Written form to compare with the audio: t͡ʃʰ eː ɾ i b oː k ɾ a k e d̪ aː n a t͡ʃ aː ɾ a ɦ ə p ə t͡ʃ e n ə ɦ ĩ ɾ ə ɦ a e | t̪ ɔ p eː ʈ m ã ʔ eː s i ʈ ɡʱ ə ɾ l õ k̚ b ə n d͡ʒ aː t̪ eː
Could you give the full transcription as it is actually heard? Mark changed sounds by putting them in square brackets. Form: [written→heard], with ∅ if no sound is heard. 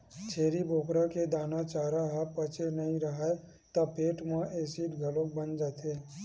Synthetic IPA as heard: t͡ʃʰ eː ɾ i b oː k ɾ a k e d̪ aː n a t͡ʃ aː ɾ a ɦ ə p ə t͡ʃ e n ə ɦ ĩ ɾ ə ɦ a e | t̪ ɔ p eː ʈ m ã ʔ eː s i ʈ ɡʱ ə [ɾ→∅] l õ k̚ b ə n d͡ʒ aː t̪ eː

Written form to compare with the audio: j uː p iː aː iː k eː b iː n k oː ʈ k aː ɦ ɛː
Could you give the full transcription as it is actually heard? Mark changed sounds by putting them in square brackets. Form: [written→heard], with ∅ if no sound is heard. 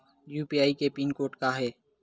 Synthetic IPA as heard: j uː p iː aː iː k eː [b→p] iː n k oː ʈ k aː ɦ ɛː

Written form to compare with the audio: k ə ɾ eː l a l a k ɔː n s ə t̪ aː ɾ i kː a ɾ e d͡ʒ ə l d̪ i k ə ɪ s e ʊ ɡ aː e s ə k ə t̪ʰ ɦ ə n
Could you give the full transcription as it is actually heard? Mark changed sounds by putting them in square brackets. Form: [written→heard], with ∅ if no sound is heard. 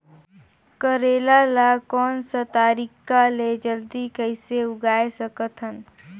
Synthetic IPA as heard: k ə ɾ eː l a l a k ɔː n s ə t̪ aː ɾ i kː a [ɾ→l] e d͡ʒ ə l d̪ i k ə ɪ s e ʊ ɡ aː e s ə k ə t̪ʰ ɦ ə n

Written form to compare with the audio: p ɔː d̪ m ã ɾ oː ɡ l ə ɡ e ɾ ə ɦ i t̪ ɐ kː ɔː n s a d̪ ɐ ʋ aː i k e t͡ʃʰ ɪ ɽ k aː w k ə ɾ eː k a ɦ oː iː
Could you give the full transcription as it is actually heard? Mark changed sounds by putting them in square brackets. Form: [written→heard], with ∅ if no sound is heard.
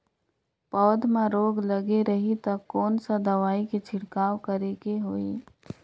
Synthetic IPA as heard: p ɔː d̪ m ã ɾ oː ɡ l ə ɡ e ɾ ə ɦ i t̪ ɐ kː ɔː n s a d̪ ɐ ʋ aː i k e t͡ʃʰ ɪ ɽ k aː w k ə ɾ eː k [a→e] ɦ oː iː

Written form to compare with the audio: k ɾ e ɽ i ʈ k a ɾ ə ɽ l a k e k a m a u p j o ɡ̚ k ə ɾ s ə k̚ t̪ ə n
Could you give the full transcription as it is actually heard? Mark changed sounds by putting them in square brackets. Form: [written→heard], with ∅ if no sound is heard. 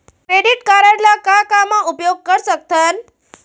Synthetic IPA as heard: k ɾ e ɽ i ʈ k a ɾ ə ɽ l a k [e→a] k a m a u p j o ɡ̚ k ə ɾ s ə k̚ t̪ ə n

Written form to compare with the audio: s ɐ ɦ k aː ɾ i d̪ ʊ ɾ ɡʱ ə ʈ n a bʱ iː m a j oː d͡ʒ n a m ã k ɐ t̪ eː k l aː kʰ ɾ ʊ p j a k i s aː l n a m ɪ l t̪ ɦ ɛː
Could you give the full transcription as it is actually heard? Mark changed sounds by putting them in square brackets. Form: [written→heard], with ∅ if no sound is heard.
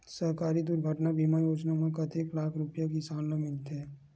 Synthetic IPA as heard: s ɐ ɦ k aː ɾ i d̪ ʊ ɾ ɡʱ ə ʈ n a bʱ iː m a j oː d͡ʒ n a m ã k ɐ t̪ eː k l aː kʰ ɾ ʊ p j a k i s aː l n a m ɪ l t̪ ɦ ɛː

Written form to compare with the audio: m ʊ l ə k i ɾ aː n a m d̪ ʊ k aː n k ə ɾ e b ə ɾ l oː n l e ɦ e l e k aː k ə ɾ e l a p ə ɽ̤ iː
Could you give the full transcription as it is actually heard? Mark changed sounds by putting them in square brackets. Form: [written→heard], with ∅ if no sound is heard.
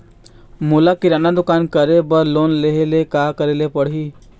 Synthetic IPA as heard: m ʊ l [ə→a] k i ɾ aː n a [m→∅] d̪ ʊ k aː n k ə ɾ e b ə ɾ l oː n l e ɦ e l e k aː k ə ɾ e l [a→e] p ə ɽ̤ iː

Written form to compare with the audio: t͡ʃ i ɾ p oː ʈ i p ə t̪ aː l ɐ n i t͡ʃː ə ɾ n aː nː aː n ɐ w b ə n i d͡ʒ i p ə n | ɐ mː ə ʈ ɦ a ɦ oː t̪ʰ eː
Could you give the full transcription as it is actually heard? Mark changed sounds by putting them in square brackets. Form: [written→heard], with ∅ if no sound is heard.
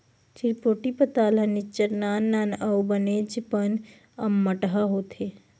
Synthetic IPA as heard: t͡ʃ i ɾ p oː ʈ i p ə t̪ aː l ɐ n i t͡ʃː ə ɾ n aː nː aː n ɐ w b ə n [i→e] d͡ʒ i p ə n | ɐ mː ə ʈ ɦ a ɦ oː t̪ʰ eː

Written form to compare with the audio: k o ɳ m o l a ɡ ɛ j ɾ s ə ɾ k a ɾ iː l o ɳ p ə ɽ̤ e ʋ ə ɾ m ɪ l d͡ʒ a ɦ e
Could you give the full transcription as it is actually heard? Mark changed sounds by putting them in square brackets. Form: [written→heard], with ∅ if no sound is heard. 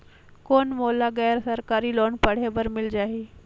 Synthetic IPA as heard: k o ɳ m o l a ɡ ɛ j ɾ s ə ɾ k a ɾ iː l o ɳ p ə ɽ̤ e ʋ ə ɾ m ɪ l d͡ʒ a ɦ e

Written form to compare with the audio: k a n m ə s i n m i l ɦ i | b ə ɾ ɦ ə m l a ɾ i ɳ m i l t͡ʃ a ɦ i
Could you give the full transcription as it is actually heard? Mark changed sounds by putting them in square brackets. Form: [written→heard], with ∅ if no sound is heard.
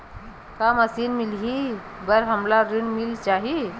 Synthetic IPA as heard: k a [n→∅] m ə s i n m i l ɦ i | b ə ɾ ɦ ə m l a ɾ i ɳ m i l t͡ʃ a ɦ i

